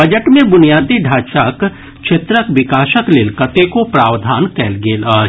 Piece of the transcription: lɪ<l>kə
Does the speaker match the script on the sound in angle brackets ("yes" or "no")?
yes